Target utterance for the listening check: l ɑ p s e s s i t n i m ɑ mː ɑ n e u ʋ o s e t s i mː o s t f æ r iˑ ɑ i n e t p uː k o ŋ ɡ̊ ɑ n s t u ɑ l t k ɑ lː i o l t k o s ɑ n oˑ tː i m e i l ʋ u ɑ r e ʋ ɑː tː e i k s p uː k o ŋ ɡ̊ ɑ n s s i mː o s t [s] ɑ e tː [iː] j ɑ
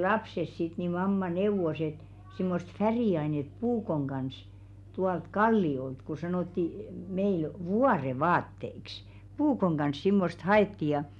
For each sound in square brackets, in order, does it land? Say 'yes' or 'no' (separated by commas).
no, no